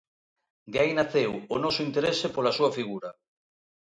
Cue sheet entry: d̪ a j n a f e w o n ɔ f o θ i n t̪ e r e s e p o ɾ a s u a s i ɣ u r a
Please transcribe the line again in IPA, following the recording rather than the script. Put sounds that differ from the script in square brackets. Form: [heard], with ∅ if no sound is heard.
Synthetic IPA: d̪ a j n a [θ] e w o n ɔ [s] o [∅] i n t̪ e [ɾ] e s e p o [l] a s u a [f] i ɣ u [ɾ] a